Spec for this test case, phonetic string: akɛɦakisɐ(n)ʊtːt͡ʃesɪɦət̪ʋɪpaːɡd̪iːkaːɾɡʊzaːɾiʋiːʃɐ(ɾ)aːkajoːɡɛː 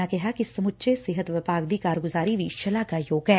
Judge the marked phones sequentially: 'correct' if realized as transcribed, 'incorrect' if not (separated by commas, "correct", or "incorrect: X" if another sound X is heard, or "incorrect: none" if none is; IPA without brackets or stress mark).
incorrect: m, incorrect: l